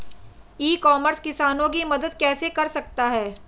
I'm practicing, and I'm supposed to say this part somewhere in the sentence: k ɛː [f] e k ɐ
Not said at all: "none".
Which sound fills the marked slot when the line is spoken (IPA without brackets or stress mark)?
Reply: s